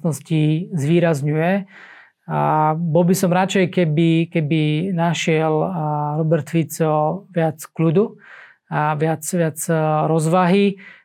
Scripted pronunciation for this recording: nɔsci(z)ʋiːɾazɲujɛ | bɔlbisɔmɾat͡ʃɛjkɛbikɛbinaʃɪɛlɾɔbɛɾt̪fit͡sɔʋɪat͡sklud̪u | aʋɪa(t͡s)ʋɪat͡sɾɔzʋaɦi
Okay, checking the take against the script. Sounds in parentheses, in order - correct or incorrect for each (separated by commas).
correct, correct